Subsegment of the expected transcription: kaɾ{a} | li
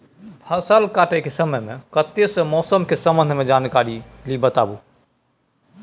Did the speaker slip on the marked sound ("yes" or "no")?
yes